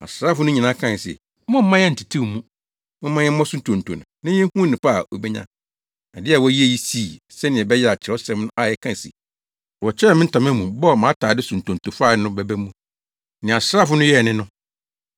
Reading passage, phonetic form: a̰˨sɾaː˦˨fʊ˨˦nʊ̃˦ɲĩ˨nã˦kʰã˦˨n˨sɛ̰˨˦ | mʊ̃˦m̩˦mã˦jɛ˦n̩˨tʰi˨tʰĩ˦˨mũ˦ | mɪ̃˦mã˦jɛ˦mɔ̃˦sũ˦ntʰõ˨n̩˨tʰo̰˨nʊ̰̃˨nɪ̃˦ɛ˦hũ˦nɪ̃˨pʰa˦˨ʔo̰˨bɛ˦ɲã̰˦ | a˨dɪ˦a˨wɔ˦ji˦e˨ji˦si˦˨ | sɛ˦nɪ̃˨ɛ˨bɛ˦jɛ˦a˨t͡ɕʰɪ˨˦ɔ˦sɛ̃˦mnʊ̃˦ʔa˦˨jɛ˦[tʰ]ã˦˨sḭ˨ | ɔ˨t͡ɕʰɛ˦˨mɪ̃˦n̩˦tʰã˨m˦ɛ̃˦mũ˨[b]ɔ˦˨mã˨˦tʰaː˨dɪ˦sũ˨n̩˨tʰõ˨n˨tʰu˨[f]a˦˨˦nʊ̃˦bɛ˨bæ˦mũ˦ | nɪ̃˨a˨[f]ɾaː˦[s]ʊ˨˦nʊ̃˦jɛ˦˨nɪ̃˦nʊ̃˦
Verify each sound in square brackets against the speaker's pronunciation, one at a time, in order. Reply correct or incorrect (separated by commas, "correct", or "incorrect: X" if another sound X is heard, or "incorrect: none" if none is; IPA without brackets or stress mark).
incorrect: kʰ, correct, correct, incorrect: s, incorrect: f